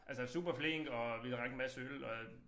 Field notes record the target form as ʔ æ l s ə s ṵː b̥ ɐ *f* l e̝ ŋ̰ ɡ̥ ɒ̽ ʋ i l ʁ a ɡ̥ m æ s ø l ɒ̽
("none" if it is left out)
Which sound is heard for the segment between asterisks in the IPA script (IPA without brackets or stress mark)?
f